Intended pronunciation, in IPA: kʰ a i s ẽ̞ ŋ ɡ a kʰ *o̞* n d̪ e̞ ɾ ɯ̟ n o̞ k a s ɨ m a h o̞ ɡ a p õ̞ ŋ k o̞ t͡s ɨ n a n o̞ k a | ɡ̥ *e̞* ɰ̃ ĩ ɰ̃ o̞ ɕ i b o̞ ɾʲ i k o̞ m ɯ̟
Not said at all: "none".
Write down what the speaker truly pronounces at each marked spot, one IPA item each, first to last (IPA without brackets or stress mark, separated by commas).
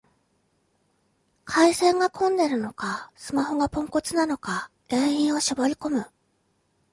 õ̞, ẽ̞